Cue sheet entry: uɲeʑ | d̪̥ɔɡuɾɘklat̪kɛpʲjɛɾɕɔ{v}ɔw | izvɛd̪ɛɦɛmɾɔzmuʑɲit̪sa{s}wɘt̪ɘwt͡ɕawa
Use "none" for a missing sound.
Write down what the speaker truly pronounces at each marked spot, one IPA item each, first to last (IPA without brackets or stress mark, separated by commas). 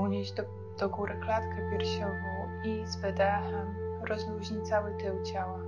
v, none